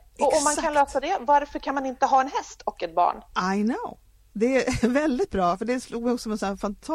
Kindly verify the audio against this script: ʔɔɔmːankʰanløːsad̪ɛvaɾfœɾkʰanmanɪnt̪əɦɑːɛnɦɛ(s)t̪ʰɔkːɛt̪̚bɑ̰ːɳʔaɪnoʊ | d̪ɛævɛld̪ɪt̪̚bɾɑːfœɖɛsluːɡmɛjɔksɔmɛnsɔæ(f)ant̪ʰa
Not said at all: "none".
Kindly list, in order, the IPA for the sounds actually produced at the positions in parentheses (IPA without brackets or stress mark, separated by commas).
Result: s, f